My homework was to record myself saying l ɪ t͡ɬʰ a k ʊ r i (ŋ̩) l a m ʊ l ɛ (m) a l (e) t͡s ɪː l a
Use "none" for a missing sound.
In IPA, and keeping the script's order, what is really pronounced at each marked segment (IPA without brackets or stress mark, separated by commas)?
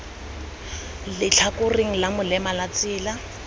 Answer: ŋ̩, m, a